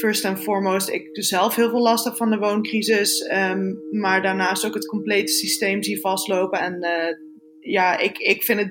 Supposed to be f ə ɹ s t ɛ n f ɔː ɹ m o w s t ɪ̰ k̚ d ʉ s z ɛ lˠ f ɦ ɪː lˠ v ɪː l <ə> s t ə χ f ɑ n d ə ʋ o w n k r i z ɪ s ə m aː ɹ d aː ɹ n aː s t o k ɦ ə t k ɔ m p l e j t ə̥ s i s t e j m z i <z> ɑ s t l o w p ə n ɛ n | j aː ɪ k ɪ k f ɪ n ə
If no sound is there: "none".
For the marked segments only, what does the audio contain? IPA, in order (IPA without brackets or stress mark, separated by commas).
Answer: ɑ, v